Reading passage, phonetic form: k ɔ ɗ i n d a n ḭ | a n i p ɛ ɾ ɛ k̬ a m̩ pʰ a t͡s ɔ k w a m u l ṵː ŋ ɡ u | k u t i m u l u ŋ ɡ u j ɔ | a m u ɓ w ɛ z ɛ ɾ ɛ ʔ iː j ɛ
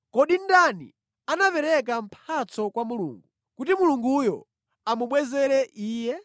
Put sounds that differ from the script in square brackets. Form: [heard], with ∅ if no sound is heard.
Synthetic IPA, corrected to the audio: k ɔ ɗ i n d a n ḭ | a n [a] p ɛ ɾ ɛ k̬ a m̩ pʰ a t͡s ɔ k w a m u l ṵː ŋ ɡ u | k u t i m u l u ŋ ɡ u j ɔ | a m u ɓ w ɛ z ɛ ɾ ɛ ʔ iː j ɛ

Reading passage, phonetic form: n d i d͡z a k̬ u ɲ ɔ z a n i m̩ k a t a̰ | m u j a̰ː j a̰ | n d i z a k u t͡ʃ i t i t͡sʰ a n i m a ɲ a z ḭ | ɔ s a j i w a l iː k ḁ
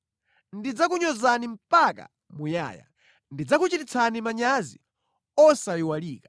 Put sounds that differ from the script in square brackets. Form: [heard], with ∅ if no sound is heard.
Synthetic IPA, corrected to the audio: n d i d͡z a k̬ u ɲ ɔ z a n i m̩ [p] a [k] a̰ | m u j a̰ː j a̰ | n d i [d͡z] a k u t͡ʃ i t i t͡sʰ a n i m a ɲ a z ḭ | ɔ s a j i w a l iː k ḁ

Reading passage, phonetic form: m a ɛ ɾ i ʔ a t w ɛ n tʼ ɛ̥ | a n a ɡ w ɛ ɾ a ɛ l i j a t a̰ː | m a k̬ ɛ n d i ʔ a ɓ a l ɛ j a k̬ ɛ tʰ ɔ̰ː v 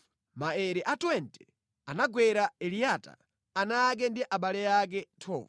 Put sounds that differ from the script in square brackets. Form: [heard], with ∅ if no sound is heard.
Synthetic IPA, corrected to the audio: m a ɛ ɾ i ʔ a t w ɛ n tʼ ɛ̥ | a n a ɡ w ɛ ɾ a ɛ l i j a t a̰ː | [n] a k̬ ɛ n d i ʔ a ɓ a l ɛ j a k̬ ɛ tʰ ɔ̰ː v

